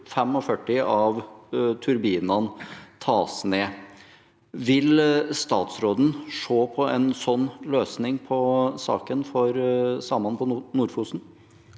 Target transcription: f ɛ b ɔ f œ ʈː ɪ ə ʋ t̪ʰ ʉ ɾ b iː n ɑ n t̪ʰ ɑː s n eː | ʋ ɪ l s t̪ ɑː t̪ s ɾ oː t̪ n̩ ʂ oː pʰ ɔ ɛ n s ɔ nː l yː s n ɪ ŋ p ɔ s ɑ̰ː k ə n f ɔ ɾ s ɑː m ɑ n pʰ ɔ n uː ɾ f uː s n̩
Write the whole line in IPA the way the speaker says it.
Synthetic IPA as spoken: f ɛ m ɔ f œ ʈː ɪ ɑ ʋ t̪ʰ ʉ ɾ b iː n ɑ n t̪ʰ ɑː s n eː | ʋ ɪ l s t̪ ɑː t̪ s ɾ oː d̪ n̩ ʂ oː pʰ ɔ ɛ n s ɔ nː l øː s n ɪ ŋ pʰ ɔ s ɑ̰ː k ə n f ɔ ɾ s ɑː m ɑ n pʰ ɔ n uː ɾ f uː s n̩

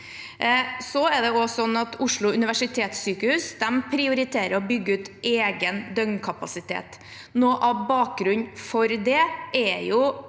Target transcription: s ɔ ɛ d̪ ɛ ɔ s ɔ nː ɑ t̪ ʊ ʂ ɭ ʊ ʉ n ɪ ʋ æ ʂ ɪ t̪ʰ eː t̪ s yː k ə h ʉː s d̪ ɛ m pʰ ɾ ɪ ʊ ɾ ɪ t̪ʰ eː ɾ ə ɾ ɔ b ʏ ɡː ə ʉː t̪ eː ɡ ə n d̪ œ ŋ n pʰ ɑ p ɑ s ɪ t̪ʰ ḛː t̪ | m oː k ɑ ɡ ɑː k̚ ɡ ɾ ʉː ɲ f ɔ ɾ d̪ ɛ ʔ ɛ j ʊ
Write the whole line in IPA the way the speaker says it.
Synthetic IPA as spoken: s ɔ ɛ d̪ ɛ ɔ s ɔ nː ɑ t̪ ʊ ʂ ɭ ʊ ʉ n ɪ ʋ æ ʂ ɪ t̪ʰ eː t̪ s yː k ə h ʉː s d̪ ɛ m pʰ ɾ ɪ ʊ ɾ ɪ t̪ʰ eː ɾ ə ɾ ɔ b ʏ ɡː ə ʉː t̪ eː ɡ ə n d̪ œ ŋ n kʰ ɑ p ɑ s ɪ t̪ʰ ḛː t̪ | n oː ʔ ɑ b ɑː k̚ ɡ ɾ ʉ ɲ f ɔ ɾ d̪ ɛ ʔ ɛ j ʊ

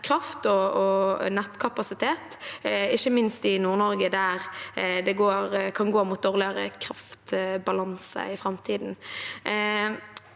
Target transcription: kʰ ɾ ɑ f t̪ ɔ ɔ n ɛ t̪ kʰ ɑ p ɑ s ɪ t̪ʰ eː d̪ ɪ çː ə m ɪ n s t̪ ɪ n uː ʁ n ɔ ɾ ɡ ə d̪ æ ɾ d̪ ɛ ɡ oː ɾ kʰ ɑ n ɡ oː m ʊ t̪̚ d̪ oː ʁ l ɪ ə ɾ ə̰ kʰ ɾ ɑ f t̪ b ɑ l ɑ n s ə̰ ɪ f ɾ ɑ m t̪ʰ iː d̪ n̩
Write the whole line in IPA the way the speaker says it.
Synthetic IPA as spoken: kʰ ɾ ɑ f t̪ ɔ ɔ n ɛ t̪ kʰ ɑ p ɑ s ɪ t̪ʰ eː t̪ ɪ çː ə m ɪ n s t̪ ɪ n uː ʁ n ɔ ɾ ɡ ə d̪ æ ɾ d̪ ɛ ɡ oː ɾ kʰ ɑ n ɡ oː m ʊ t̪̚ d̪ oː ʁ l ɪ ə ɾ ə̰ kʰ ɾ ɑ f t̪ b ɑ l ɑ n s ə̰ ɪ f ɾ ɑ m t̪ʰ iː d̪ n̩

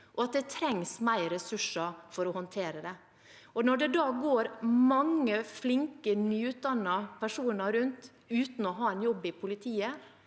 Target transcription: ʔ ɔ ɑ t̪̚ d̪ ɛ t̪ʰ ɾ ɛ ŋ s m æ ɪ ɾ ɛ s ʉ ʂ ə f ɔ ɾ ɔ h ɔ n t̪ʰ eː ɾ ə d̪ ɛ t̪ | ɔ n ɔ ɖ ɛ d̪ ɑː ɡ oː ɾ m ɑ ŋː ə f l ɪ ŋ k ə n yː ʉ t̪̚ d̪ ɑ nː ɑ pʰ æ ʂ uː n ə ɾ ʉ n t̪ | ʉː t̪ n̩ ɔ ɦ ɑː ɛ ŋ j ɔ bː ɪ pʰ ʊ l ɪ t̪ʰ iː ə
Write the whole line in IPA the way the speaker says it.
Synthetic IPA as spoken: ʔ ɔ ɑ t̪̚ d̪ ɛ t̪ʰ ɾ ɛ ŋ s m æ ɪ ɾ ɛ s ʉ ʂ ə f ɔ ɾ ɔ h ɔ n t̪ʰ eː ɾ ə d̪ ɛ | ɔ n ɔ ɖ ɛ d̪ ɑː ɡ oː ɾ m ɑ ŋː ə f l ɪ ŋ k ə n yː ʉ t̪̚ d̪ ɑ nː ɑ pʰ æ ʂ uː n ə ɾ ʉ n t̪ | ʉː t̪ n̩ ɔ ɦ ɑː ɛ n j ɔ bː ɪ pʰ ʊ l ɪ t̪ʰ iː ə

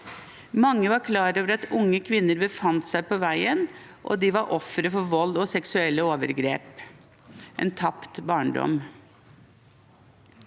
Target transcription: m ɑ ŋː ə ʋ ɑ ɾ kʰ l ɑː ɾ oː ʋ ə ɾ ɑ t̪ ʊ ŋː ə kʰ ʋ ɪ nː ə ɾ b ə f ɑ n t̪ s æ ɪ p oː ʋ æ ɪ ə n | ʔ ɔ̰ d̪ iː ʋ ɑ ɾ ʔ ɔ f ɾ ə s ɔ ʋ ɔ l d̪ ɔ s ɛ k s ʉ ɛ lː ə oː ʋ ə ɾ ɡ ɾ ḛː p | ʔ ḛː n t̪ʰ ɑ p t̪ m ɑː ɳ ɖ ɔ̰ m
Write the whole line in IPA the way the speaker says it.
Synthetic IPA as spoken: m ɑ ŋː ə ʋ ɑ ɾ kʰ l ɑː ɾ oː ʋ ə ɾ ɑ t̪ ʊ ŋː ə kʰ ʋ ɪ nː ə ɾ b ə f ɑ n t̪ s æ ɪ p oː ʋ æ ɪ ə n | ʔ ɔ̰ d̪ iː ʋ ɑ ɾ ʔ ɔ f ɾ ə f ɔ ʋ ɔ l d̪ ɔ s ɛ k s ʉ ɛ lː ə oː ʋ ə ɾ ɡ ɾ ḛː p | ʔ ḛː n t̪ʰ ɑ p t̪ b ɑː ɳ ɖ ɔ̰ m

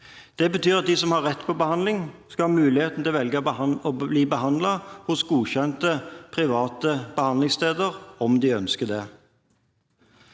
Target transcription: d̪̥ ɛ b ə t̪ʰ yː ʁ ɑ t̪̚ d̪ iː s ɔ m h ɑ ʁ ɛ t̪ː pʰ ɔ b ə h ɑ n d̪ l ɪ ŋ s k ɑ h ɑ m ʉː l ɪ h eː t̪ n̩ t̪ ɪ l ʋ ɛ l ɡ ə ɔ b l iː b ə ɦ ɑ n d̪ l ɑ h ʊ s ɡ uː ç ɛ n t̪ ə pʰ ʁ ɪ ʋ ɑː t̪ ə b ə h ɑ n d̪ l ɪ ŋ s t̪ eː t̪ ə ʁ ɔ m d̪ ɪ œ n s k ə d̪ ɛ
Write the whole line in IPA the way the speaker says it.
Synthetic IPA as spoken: d̪̥ ɛ b ə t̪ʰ yː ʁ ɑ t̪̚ d̪ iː s ɔ m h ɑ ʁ ɛ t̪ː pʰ ɔ b ə h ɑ n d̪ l ɪ ŋ s k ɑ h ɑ m ʉː l ɪ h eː t̪ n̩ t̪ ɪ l ʋ ɛ l ɡ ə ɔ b l iː b ə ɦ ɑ n d̪ l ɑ h ʊ s ɡ uː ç ɛ n t̪ ə pʰ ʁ ɪ ʋ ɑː t̪ ə b ə h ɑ n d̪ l ɪ ŋ s t̪ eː d̪ ə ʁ ɔ m d̪ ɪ œ n s k ə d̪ ɛ

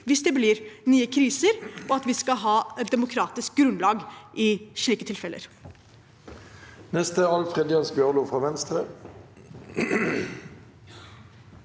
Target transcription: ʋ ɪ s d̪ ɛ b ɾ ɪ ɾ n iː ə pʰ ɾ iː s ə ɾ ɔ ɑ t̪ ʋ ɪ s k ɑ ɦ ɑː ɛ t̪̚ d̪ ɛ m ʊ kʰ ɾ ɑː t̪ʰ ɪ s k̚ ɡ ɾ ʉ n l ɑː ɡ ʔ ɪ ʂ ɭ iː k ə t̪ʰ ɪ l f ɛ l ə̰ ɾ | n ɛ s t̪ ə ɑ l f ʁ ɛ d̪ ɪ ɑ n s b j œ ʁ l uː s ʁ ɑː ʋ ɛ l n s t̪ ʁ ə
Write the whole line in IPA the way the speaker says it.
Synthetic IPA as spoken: ʋ ɪ s d̪ ɛ b l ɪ ɾ n yː ə kʰ ɾ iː s ə ɾ ɔ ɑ t̪ ʋ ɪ s k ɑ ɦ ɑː ɛ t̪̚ d̪ ɛ m ʊ kʰ ɾ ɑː t̪ ɪ s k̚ ɡ ɾ ʉ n l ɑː ɡ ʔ ɪ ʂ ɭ iː k ə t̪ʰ ɪ l f ɛ l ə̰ ɾ | n ɛ s t̪ ə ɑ l f ʁ ɛ d̪ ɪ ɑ n s b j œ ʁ l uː f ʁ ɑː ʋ ɛ n s t̪ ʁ ə

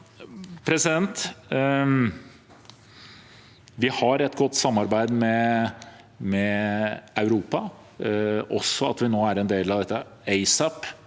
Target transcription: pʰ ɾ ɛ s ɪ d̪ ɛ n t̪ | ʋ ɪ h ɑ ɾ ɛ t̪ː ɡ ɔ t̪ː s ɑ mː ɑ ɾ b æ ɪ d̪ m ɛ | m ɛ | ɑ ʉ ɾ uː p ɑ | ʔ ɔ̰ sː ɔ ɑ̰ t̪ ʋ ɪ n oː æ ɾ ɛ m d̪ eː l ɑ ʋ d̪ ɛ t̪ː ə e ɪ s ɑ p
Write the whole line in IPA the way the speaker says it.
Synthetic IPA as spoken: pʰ ɾ ɛ s ɪ d̪ ɛ n t̪ | ʋ ɪ h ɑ ɾ ɛ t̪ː ɡ ɔ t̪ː s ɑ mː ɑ ɾ b æ ɪ d̪ m ɛ | m ɛ | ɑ ʉ ɾ uː p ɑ | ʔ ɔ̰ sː ɔ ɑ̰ t̪ ʋ ɪ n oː æ ɾ ɛ n d̪ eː l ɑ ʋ d̪ ɛ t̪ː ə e ɪ s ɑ p

